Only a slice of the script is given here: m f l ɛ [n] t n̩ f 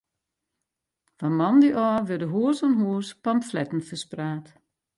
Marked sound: incorrect: none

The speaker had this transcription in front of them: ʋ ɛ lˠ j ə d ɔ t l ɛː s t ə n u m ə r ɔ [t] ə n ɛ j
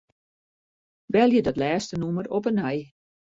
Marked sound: incorrect: p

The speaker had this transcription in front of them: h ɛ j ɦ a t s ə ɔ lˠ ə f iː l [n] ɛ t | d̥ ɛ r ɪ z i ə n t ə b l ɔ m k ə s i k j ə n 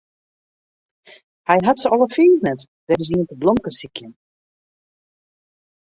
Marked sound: correct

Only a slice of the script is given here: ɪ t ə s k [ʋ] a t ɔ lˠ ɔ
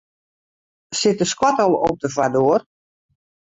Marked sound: incorrect: w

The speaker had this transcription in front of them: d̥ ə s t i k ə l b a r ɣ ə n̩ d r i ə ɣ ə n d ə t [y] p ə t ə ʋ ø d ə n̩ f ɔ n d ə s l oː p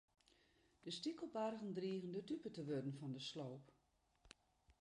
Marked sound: correct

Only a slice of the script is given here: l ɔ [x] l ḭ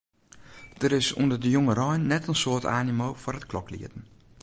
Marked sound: incorrect: k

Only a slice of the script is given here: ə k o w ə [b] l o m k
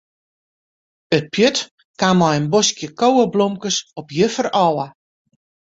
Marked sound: correct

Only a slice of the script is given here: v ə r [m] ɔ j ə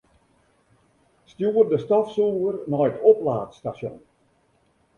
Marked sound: incorrect: n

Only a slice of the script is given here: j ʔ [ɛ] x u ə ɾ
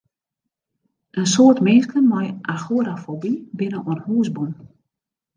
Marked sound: incorrect: a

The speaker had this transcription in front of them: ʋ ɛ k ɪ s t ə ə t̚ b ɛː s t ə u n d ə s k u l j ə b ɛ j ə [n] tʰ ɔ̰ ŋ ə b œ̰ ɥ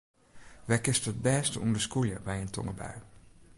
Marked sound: correct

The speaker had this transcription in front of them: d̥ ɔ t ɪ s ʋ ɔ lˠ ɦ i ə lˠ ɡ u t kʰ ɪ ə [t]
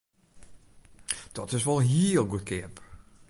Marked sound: incorrect: p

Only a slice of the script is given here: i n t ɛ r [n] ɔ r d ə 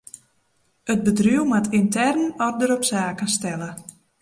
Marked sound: correct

